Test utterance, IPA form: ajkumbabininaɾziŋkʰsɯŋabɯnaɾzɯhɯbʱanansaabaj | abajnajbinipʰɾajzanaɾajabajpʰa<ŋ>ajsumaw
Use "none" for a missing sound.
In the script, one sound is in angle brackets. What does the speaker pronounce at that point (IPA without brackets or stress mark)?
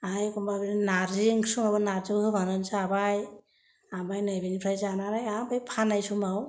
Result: n